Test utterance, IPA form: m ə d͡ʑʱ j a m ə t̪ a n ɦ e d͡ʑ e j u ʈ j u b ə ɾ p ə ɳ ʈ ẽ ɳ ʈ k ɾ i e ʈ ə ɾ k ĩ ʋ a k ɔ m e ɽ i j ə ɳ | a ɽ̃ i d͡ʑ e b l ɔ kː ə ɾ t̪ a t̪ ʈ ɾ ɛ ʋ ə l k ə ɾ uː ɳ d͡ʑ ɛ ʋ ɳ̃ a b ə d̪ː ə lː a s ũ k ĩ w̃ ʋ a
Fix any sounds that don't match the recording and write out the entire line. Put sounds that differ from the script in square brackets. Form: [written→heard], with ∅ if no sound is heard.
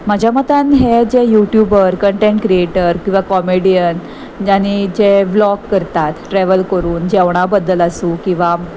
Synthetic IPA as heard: m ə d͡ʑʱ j a m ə t̪ a n ɦ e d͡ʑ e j u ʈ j u b ə ɾ [p→k] ə ɳ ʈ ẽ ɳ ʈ k ɾ i e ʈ ə ɾ k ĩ ʋ a k ɔ m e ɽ i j ə [ɳ→n] | a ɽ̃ i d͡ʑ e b l ɔ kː ə ɾ t̪ a t̪ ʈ ɾ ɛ ʋ ə l k ə ɾ uː [ɳ→n] d͡ʑ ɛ ʋ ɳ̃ a b ə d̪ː ə [lː→l] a s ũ k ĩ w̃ ʋ a

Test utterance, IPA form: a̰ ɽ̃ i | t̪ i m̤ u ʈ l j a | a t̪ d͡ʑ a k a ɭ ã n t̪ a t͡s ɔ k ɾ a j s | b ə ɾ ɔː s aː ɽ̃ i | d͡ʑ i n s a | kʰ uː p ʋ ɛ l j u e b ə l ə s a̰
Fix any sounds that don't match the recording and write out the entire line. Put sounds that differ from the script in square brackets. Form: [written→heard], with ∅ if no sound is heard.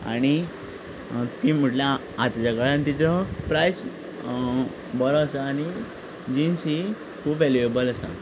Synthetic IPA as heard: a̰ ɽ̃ i | t̪ i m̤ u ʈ l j a | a t̪ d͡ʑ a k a ɭ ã n t̪ [a→i] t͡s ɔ [k→p] ɾ a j s | b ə ɾ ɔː s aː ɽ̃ i | d͡ʑ i n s [a→i] | kʰ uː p ʋ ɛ l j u e b ə l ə s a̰

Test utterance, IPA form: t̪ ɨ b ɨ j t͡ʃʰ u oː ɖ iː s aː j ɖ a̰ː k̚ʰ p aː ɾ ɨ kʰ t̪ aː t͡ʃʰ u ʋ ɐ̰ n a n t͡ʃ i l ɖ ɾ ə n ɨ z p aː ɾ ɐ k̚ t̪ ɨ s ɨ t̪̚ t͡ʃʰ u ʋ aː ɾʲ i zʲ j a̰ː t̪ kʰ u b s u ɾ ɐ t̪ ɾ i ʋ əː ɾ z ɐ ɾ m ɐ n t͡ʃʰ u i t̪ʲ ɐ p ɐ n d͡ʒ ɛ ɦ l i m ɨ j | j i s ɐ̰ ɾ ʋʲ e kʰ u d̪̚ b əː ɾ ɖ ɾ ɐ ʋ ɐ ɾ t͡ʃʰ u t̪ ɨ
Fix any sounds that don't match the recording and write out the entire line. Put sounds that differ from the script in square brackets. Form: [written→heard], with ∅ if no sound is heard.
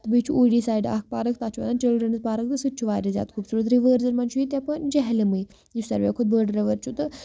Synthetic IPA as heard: t̪ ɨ b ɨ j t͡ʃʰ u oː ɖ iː s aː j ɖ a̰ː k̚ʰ p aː ɾ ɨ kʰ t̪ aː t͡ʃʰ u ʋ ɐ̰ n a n t͡ʃ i l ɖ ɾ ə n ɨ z p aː ɾ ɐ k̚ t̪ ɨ s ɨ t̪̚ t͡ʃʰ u ʋ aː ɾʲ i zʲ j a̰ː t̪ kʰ u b s u ɾ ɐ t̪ ɾ i ʋ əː ɾ z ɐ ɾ m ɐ n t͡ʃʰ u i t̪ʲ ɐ p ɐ n d͡ʒ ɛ ɦ l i m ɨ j | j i s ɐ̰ ɾ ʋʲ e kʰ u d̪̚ b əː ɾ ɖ ɾ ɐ ʋ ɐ ɾ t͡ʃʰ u t̪ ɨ

